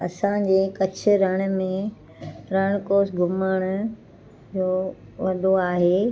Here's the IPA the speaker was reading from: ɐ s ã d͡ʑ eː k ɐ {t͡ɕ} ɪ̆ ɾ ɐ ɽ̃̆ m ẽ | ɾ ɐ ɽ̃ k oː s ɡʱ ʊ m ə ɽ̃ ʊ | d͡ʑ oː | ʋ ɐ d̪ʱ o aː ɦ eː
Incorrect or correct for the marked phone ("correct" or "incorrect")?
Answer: incorrect